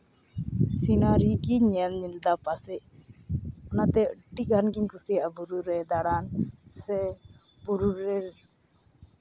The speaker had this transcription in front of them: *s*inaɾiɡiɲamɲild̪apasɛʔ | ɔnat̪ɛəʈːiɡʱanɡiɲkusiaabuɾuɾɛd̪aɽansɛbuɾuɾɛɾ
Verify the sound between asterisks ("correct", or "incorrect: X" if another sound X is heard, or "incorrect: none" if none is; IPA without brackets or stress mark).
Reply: correct